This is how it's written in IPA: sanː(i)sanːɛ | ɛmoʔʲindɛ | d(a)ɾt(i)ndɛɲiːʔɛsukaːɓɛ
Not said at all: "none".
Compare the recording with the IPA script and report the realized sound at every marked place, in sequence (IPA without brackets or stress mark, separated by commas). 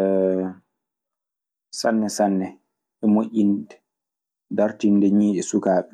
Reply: ɛ, a, i